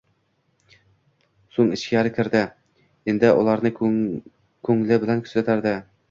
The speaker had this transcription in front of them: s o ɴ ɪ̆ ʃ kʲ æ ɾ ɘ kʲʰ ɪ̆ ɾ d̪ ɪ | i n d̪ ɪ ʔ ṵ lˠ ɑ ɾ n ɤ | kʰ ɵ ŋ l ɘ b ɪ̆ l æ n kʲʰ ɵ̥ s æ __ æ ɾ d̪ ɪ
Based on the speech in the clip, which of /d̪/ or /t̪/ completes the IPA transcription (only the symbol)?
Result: t̪